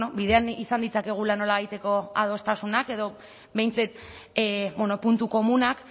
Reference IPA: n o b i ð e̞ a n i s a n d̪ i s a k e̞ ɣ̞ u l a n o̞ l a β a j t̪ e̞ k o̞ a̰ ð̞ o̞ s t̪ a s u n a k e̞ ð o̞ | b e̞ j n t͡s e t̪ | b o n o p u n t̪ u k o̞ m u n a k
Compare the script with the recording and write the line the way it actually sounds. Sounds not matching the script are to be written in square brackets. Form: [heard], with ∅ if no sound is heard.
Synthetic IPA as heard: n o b i ð e̞ a n i s a n d̪ i [t͡s] a k e̞ ɣ̞ u l a n o̞ l a β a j t̪ e̞ k o̞ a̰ ð̞ o̞ s t̪ a s u n a k e̞ ð o̞ | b e̞ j n t͡s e t̪ | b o n o p u n t̪ u k o̞ m u n a k